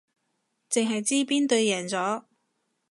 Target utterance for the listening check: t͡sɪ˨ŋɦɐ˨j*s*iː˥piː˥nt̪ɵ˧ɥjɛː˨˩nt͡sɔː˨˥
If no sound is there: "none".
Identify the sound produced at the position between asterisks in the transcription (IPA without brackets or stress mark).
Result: t͡s